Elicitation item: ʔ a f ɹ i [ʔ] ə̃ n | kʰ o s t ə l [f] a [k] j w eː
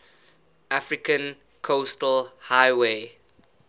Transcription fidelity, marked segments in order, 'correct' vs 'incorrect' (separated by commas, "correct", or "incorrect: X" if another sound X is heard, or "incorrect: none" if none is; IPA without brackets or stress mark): incorrect: k, incorrect: h, incorrect: none